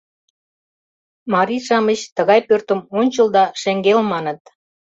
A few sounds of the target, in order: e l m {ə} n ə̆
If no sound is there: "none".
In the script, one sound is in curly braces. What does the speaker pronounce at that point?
ɑ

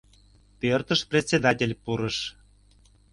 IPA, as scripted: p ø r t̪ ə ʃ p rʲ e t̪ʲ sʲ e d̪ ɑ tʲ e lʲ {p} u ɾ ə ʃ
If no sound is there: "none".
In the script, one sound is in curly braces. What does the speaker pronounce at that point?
p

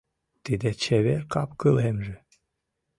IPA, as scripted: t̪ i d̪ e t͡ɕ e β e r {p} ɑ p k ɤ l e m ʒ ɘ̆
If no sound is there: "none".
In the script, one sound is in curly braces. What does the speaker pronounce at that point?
k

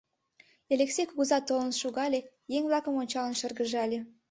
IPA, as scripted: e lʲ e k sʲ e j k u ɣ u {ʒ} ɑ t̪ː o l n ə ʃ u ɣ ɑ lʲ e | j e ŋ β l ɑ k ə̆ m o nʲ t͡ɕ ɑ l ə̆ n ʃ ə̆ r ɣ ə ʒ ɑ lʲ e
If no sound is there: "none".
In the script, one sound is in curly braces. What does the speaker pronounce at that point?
z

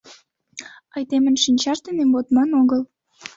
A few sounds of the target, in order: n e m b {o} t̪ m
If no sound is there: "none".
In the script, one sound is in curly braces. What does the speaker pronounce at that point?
o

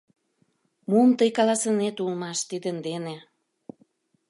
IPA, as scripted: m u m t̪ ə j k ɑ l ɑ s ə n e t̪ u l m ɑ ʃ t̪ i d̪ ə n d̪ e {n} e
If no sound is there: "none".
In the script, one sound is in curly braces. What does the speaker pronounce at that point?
n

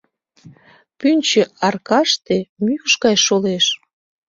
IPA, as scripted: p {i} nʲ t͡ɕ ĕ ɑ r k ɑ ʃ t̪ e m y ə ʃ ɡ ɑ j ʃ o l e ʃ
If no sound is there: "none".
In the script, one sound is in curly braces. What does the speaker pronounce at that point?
y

